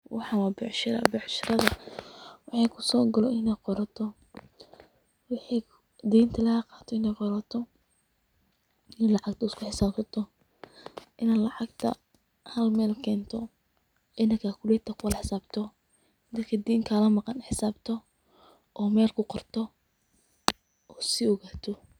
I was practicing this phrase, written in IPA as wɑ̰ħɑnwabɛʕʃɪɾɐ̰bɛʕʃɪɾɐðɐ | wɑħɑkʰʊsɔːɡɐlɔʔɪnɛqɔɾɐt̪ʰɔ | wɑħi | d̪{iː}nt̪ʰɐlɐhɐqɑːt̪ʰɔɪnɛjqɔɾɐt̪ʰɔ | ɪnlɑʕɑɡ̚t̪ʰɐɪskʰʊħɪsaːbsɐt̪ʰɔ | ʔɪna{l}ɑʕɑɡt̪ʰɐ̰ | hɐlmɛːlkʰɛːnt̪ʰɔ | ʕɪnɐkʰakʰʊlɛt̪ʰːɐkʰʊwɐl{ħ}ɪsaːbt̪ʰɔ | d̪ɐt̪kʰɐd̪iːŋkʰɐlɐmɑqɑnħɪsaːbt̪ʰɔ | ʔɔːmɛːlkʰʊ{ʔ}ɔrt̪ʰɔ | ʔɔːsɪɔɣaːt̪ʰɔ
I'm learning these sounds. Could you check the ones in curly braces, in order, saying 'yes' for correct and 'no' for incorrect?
yes, yes, yes, no

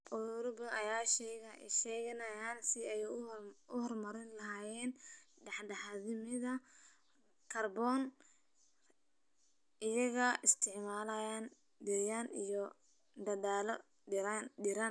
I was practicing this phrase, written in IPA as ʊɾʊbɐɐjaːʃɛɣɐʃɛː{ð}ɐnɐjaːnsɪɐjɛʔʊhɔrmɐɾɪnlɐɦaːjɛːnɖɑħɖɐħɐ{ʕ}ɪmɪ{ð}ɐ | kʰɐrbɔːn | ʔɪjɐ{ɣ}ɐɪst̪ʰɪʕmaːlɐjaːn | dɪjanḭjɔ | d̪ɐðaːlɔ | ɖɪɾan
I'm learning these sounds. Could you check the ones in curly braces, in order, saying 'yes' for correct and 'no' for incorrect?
no, no, yes, yes

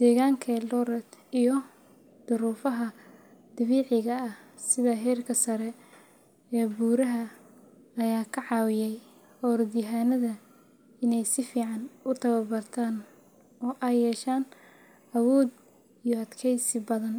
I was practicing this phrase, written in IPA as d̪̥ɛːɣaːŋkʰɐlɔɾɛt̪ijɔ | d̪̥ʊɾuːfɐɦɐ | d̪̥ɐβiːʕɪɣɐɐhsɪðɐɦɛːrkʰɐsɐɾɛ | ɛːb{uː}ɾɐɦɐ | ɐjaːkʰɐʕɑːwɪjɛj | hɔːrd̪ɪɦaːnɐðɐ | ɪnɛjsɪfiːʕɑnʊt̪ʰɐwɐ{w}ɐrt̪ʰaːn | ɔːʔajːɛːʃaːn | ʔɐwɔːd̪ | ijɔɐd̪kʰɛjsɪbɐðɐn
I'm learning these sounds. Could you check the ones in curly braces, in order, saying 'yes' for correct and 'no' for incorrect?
yes, no

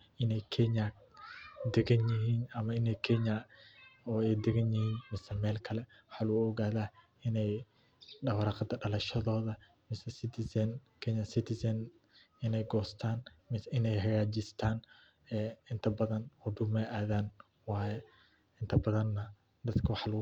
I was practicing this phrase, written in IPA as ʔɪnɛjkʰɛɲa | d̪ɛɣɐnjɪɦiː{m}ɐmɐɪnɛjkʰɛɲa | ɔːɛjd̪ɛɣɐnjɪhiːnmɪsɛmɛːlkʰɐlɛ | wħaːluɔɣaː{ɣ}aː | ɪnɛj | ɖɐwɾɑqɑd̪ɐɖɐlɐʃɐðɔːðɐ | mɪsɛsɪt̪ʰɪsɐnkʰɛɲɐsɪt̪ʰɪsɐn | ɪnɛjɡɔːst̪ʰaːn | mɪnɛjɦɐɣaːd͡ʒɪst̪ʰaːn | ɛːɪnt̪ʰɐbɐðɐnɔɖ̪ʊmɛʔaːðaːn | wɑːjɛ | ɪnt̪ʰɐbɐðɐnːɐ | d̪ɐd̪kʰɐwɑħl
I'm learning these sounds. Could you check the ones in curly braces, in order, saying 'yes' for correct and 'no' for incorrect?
no, no

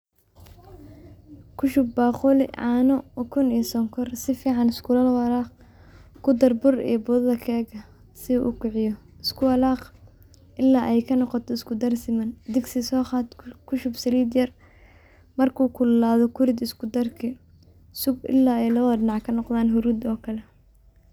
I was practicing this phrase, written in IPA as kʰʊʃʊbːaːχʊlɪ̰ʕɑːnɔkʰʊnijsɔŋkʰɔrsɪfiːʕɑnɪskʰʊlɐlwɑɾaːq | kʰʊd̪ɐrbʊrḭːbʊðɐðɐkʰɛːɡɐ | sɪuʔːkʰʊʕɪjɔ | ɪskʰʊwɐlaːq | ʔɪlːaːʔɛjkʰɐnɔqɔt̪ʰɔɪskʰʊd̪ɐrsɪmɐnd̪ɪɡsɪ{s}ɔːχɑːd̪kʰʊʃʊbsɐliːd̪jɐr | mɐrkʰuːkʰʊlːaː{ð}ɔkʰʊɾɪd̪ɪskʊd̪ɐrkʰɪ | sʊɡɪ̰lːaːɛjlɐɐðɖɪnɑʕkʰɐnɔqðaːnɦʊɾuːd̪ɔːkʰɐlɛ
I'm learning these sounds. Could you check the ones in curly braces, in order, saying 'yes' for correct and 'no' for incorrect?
yes, yes

